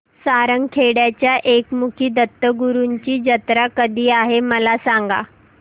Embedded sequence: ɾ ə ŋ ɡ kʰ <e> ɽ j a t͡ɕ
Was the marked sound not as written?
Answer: no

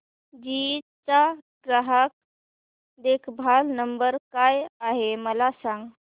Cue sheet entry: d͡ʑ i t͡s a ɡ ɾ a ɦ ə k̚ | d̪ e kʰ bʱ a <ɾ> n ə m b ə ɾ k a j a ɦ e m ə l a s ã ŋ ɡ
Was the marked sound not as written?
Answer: yes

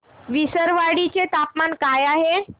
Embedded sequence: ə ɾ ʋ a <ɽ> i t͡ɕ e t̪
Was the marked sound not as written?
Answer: no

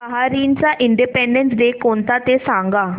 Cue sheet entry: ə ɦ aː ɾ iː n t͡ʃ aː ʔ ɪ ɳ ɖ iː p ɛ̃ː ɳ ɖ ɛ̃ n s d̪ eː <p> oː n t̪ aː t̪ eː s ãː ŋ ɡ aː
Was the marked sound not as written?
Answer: yes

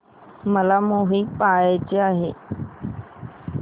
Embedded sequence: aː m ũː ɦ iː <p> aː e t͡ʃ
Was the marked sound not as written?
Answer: no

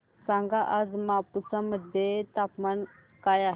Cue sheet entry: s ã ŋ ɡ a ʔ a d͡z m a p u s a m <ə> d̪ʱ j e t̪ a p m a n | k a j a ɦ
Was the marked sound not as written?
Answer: no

